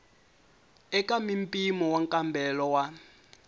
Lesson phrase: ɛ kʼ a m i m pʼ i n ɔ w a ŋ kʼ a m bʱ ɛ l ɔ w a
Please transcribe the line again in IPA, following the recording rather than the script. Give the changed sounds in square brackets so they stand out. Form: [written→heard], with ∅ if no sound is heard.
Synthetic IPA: ɛ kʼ a m i m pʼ i [n→m] ɔ w a ŋ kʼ a m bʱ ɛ l ɔ w a